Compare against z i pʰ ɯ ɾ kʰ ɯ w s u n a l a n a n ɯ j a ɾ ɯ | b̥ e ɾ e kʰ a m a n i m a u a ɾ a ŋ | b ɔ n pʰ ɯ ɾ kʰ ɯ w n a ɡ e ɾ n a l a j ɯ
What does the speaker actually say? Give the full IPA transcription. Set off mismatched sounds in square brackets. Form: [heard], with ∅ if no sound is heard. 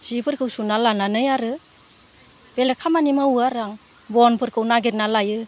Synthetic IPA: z i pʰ ɯ ɾ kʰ ɯ w s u n a l a n a n ɯ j a ɾ ɯ | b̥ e [l] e kʰ a m a n i m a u a ɾ a ŋ | b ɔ n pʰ ɯ ɾ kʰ ɯ w n a ɡ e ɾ n a l a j ɯ